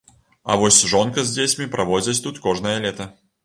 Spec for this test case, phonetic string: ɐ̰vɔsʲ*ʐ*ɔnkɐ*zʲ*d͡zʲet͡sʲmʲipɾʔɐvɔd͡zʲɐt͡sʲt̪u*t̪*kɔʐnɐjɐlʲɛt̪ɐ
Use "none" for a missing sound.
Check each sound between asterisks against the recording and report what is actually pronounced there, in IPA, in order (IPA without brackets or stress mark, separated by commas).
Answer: ʐ, zʲ, t̪